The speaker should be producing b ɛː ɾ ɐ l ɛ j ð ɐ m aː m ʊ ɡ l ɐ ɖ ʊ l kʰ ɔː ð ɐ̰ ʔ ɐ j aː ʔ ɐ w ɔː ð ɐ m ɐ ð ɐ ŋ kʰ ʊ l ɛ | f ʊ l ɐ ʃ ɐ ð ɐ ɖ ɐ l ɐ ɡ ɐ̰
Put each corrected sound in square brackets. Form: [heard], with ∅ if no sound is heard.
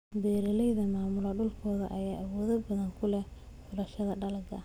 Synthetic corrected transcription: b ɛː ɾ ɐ l ɛ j ð ɐ m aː m ʊ [∅] l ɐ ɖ ʊ l kʰ ɔː ð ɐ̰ ʔ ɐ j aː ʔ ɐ w ɔː ð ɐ [b] ɐ ð ɐ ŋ kʰ ʊ l ɛ | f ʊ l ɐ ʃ ɐ ð ɐ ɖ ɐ l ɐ ɡ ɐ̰